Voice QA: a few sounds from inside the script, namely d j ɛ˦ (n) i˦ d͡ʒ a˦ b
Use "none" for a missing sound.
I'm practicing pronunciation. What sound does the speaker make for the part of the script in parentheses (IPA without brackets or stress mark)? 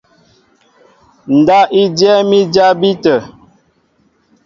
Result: m